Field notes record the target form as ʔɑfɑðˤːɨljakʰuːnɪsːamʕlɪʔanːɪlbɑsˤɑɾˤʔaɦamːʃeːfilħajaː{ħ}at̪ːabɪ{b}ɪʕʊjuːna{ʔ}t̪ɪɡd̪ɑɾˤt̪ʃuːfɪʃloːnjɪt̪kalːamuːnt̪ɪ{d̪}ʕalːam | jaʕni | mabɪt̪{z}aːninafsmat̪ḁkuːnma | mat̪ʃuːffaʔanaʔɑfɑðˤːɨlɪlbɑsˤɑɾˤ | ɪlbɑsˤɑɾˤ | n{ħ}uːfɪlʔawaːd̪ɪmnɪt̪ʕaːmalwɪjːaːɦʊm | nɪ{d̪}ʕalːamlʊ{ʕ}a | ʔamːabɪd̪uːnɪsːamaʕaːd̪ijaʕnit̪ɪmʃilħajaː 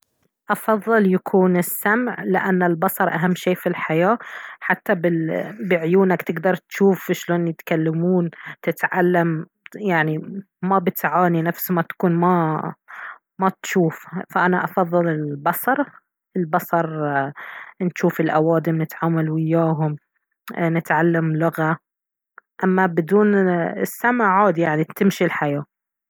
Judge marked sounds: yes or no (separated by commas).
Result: yes, yes, no, no, no, no, no, no